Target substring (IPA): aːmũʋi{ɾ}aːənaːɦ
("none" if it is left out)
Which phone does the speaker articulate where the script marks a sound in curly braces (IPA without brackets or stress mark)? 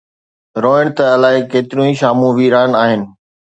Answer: ɾ